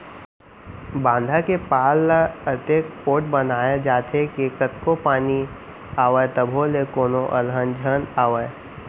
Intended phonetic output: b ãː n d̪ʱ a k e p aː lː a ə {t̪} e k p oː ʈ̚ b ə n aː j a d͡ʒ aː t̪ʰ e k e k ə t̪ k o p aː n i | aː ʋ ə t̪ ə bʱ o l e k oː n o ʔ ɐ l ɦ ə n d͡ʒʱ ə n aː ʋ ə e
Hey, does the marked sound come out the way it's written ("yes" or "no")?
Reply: yes